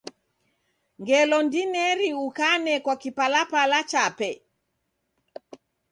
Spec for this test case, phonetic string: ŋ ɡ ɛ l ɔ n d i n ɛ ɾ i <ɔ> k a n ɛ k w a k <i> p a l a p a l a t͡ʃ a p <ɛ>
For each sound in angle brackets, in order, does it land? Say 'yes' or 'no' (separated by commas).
no, yes, yes